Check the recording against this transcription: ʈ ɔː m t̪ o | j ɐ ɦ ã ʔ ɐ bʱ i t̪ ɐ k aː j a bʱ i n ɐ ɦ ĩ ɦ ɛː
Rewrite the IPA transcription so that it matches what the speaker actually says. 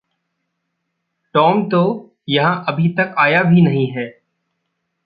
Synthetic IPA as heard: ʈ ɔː m t̪ o | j ɐ ɦ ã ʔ ɐ bʱ i t̪ ɐ k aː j a bʱ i n ɐ ɦ ĩ ɦ ɛː